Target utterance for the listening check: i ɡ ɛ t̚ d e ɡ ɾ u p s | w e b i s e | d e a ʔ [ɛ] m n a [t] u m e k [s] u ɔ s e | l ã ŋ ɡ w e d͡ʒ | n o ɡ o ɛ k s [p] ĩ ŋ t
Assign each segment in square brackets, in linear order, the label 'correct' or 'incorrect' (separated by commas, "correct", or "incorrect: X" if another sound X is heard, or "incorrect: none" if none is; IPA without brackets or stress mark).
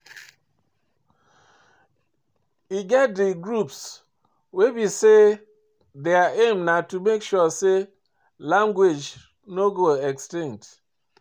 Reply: incorrect: e, correct, incorrect: ʃ, incorrect: t